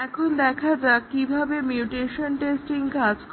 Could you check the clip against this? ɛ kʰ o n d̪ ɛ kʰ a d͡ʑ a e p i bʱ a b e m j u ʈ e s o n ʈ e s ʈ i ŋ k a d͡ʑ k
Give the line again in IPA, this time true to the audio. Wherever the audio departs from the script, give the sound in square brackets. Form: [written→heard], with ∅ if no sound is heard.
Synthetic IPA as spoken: ɛ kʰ o n d̪ ɛ kʰ a d͡ʑ a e [p→k] i bʱ a b e m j u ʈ e [s→ʃ] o n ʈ e s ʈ i ŋ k a d͡ʑ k